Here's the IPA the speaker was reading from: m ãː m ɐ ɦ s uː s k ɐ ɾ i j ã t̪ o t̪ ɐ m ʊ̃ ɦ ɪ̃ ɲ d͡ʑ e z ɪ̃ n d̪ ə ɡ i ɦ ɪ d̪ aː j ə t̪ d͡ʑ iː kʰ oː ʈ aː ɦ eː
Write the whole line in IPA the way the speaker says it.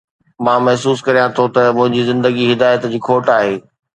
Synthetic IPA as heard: m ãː m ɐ ɦ s uː s k ɐ ɾ i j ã t̪ʰ o t̪ ɐ m ʊ̃ ɦ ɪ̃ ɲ d͡ʑ i z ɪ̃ n d̪ ə ɡ i ɦ ɪ d̪ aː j ə t̪ d͡ʑ iː kʰ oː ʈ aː ɦ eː

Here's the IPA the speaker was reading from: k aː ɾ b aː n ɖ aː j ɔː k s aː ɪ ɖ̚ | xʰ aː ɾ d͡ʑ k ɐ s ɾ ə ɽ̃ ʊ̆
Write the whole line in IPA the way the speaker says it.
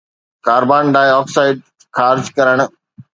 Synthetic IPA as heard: k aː ɾ b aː n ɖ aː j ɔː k s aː ɪ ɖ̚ | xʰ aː ɾ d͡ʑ k ɐ ɾ ə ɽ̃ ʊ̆

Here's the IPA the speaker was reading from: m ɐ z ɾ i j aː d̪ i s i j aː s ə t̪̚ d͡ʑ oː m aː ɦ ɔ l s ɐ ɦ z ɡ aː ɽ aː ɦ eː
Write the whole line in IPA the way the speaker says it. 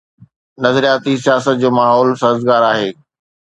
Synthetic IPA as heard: n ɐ z ɾ i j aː t̪ i s i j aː s ə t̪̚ d͡ʑ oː m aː ɦ ɔː l s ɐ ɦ z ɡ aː ɾ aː ɦ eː

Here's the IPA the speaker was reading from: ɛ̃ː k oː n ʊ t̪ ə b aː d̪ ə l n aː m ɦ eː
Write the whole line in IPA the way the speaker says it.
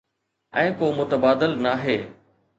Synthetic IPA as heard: ɛ̃ː k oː m ʊ t̪ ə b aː d̪ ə l n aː ɦ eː

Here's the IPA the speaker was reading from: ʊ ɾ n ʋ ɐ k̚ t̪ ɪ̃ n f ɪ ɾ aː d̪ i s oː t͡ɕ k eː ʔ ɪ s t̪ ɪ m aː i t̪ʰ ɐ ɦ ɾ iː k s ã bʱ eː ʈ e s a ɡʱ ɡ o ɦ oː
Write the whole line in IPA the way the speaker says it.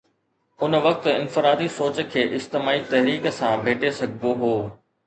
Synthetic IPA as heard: ʊ n ʋ ɐ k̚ t̪ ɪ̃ n f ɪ ɾ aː d̪ i s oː t͡ɕ kʰ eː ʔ ɪ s t̪ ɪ m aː i t̪ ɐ ɦ ɾ iː k s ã bʱ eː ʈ e s ɐ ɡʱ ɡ o ɦ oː

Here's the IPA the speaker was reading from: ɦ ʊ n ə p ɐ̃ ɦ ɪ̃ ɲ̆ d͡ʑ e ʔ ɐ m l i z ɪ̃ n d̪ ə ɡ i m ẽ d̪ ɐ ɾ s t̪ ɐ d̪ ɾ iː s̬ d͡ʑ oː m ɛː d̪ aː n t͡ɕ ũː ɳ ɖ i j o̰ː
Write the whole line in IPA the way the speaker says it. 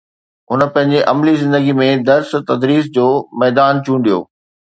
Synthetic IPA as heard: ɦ ʊ n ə p ɐ̃ ɦ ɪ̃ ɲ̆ d͡ʑ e ʔ ɐ m l i z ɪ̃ n d̪ ə ɡ i m ẽ d̪ ɐ ɾ s t̪ ɐ d̪ ɾ iː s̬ d͡ʑ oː m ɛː d̪ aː n t͡ɕ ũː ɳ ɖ i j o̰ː

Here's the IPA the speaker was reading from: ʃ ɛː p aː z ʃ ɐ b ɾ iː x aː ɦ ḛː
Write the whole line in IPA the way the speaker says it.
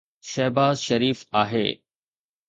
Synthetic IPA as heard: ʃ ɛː b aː z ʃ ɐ ɾ iː f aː ɦ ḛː

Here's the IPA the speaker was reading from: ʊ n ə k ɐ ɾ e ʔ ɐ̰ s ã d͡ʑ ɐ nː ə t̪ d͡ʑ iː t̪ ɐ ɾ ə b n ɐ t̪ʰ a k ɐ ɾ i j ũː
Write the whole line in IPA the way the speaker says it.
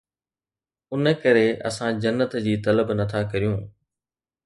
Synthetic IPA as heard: ʊ n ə k ɐ ɾ e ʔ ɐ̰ s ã d͡ʑ ɐ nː ə t̪ d͡ʑ iː t̪ ɐ l ə b n ɐ t̪ʰ a k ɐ ɾ i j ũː

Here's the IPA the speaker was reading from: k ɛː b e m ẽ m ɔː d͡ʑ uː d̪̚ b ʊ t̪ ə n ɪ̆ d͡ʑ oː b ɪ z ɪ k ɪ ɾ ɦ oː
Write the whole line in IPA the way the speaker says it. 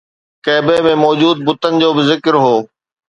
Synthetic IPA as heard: k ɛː b e m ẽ m ɔː d͡ʑ uː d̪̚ b ʊ t̪ ə n ɪ̆ d͡ʑ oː b ɪ z ɪ k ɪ ɾ ɦ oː

